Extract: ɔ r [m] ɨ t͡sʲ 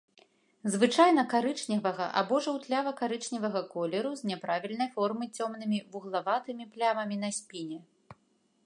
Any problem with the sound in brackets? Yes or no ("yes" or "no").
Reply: no